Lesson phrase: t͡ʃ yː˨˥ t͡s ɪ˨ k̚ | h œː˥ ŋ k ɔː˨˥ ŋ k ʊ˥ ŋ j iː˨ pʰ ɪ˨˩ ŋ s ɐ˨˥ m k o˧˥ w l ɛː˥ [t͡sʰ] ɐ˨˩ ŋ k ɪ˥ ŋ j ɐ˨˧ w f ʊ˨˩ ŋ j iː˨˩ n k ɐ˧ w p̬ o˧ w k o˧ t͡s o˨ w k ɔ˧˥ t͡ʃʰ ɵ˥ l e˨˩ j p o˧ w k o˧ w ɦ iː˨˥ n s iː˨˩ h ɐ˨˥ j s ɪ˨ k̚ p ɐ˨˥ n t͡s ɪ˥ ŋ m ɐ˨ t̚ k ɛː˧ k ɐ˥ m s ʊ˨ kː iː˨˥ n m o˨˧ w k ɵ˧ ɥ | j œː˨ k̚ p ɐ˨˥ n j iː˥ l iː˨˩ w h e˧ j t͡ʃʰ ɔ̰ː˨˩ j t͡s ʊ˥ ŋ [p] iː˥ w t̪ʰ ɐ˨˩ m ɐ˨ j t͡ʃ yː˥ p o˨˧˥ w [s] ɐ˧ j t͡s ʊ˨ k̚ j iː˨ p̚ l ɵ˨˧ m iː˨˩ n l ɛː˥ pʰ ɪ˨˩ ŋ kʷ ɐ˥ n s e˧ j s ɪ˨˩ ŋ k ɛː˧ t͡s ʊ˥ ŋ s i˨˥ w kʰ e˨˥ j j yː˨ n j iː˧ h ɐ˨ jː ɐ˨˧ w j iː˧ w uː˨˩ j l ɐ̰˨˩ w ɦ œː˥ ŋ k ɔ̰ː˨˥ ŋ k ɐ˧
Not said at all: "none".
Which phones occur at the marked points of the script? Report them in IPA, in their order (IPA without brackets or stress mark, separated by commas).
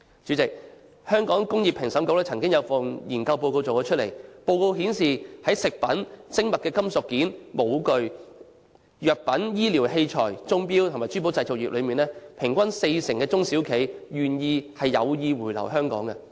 t͡sʰ, p, t͡s